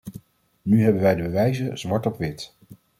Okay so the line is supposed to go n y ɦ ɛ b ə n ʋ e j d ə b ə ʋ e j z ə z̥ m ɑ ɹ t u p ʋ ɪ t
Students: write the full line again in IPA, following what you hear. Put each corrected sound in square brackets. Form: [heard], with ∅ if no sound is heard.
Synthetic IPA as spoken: n y ɦ ɛ b ə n ʋ [ɛ] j d ə b ə ʋ [ɛ] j z ə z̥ m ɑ ɹ t [ɔ] p ʋ ɪ t